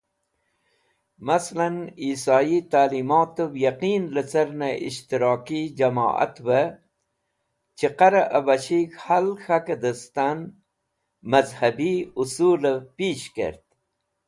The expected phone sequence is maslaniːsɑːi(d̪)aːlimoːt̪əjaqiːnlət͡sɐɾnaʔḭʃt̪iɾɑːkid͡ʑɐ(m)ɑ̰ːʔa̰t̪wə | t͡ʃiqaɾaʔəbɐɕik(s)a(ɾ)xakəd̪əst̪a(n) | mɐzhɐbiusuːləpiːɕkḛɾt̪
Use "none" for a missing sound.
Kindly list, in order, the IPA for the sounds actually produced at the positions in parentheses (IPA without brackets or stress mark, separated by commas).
t̪, m, h, l, n